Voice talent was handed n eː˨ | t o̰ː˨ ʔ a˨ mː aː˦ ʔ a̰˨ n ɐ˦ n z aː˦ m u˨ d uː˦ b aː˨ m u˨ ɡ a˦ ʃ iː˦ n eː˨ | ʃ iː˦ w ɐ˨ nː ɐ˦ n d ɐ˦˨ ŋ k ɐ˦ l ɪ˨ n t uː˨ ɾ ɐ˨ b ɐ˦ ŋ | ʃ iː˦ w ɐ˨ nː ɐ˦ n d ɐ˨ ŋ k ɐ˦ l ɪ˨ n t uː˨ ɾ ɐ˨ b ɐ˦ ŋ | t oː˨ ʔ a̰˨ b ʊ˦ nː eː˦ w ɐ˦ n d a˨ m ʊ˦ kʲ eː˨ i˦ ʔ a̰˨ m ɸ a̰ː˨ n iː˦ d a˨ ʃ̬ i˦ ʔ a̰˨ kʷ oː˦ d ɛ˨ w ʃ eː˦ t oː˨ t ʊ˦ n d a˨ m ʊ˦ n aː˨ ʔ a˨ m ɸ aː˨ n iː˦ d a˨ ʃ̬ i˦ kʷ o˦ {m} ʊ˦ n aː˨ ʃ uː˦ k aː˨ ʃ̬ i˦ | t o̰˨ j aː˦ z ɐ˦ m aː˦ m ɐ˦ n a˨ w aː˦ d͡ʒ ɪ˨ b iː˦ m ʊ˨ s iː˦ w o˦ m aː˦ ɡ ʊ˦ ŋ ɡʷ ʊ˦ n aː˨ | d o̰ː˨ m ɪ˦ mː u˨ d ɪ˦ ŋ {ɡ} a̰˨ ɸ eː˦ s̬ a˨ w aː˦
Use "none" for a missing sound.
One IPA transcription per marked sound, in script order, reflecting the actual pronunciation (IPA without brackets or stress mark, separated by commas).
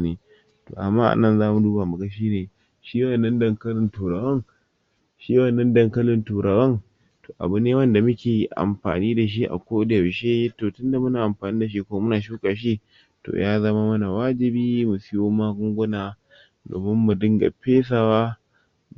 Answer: m, ɡ